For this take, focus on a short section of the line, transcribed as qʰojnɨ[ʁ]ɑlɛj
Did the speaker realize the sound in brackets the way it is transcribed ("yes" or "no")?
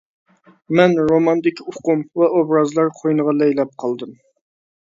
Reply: yes